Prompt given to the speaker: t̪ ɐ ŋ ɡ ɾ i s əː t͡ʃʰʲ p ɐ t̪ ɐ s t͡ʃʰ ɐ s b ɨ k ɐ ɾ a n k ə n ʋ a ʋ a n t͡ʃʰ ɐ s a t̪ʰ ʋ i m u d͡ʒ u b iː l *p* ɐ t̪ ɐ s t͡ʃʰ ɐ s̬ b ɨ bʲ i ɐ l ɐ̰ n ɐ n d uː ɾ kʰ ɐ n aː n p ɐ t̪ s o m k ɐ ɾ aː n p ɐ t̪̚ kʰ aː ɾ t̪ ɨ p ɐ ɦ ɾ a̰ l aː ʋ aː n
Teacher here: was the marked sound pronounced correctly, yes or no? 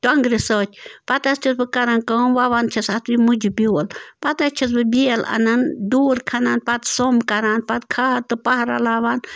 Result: yes